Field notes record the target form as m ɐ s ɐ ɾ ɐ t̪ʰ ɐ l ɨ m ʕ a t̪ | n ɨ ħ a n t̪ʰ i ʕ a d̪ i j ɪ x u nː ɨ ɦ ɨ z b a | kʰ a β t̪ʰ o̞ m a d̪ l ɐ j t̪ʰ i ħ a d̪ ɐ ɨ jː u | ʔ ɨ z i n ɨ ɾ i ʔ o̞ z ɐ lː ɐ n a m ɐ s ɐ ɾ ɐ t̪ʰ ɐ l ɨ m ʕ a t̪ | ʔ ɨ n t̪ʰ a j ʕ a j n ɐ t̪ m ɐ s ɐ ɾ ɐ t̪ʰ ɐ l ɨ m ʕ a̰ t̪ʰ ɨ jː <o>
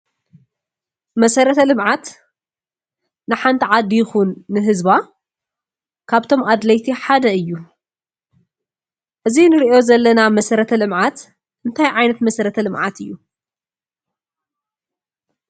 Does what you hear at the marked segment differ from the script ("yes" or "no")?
yes